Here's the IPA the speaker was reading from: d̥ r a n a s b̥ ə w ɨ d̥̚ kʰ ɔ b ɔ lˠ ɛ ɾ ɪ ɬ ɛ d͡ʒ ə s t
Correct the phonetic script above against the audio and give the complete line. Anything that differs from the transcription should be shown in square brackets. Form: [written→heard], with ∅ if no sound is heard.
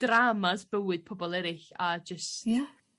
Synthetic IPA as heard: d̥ r a [n→m] a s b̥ ə w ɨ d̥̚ [kʰ→pʰ] ɔ b ɔ lˠ ɛ ɾ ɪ ɬ [ɛ→a] d͡ʒ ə s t

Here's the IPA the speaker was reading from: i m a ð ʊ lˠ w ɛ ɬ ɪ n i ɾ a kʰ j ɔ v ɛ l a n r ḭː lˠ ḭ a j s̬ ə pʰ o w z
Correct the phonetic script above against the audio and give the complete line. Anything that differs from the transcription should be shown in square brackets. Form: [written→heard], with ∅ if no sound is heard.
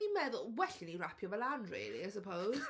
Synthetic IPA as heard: i m [a→ɛ] ð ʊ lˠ w ɛ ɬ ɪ n i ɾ a [kʰ→pʰ] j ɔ v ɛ l a n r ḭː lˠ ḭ a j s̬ ə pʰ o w z

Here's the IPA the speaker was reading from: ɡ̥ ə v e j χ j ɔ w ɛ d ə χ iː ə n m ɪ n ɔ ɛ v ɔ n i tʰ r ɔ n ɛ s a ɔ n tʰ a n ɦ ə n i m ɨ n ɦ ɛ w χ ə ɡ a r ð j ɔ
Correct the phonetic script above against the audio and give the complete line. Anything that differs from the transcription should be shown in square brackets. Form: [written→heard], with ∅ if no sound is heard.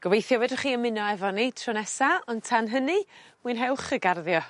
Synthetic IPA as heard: ɡ̥ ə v e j [χ→θ] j ɔ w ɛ d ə χ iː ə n m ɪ n ɔ ɛ v ɔ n i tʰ r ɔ n ɛ s a ɔ n tʰ a n ɦ ə n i m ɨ n ɦ ɛ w χ ə ɡ a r ð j ɔ

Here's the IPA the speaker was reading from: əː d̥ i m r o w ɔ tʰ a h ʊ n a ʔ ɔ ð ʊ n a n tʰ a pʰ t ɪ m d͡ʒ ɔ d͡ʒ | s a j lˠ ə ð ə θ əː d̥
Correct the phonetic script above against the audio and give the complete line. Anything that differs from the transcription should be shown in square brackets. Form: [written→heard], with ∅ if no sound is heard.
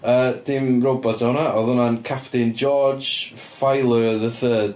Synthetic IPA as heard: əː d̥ [i→ɪ] m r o [w→b] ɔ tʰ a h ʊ n a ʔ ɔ ð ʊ n a n [tʰ→kʰ] a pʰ t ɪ [m→n] d͡ʒ ɔ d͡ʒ | [s→f] a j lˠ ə ð ə θ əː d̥

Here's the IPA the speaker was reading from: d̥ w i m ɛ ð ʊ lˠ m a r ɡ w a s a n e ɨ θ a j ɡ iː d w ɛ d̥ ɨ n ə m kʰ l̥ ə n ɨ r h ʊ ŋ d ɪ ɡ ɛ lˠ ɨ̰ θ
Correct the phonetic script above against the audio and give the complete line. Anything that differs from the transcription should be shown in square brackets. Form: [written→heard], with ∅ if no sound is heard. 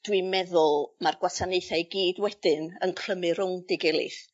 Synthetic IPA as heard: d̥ w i m ɛ ð ʊ lˠ m a r ɡ w a s a n e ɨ θ a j ɡ iː d w ɛ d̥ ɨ n ə [m→n] kʰ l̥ ə [n→m] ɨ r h ʊ ŋ d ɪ ɡ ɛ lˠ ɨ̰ θ

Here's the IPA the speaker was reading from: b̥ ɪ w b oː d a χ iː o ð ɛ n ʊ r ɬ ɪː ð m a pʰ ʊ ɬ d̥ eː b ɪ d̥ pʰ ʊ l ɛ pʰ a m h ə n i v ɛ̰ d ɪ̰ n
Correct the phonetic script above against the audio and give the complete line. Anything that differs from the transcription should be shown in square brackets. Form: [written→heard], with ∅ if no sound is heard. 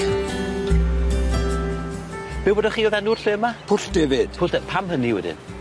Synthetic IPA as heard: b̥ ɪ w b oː d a χ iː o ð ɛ n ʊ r ɬ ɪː [ð→∅] m a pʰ ʊ ɬ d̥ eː [b→v] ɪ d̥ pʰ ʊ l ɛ pʰ a m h ə n i [v→w] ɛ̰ d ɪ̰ n

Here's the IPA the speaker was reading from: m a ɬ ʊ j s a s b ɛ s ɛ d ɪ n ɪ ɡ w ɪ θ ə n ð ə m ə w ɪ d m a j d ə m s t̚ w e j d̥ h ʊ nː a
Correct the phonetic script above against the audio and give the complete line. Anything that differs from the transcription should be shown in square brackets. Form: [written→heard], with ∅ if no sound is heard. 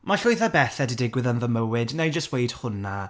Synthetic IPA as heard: m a ɬ ʊ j [s→θ] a [s→∅] b ɛ [s→θ] ɛ d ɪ [n→d] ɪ ɡ w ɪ [θ→ð] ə n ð ə m ə w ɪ d [m→n] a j [d→d͡ʒ] ə [m→∅] s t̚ w e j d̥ h ʊ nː a

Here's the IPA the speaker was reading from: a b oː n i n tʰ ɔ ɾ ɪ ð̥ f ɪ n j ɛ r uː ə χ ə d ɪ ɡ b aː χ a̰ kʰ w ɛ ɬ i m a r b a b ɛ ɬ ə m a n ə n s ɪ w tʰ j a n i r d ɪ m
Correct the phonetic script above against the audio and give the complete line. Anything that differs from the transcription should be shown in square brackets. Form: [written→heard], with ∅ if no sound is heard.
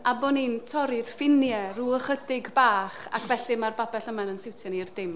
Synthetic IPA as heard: a b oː n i n tʰ ɔ ɾ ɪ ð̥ f ɪ n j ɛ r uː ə χ ə d ɪ ɡ b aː χ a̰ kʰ [w→v] ɛ ɬ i m a r b a b ɛ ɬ ə m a n ə n s ɪ w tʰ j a n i r d ɪ m

